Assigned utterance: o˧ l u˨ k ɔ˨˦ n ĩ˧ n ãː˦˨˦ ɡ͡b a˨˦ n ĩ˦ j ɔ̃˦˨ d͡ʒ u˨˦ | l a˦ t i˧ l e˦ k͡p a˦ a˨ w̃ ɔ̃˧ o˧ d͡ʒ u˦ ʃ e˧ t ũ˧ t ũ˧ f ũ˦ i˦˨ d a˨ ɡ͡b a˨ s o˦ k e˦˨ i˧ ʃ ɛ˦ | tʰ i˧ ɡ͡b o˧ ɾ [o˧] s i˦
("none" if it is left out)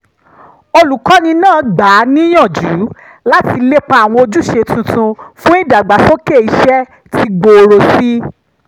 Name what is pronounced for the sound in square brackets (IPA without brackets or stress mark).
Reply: o˧